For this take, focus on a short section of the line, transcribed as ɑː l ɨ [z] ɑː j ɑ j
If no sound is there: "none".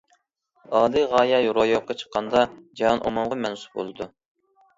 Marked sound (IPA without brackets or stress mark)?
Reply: ʁ